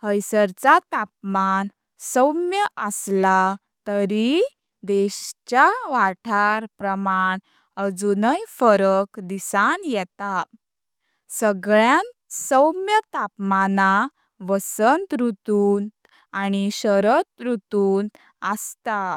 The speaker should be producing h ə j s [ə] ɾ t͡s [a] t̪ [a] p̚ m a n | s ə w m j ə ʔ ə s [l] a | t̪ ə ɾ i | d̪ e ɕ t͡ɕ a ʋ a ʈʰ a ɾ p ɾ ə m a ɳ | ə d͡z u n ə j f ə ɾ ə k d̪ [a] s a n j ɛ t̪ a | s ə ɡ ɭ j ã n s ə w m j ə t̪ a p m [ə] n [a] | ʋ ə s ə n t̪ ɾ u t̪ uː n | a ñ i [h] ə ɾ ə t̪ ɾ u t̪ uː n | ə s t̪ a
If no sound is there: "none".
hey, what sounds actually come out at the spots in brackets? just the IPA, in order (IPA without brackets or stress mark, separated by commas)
ə, a, a, l, i, a, a, ɕ